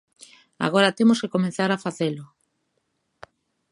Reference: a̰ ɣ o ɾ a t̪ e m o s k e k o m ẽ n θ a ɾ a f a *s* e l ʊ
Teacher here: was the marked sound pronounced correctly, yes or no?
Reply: no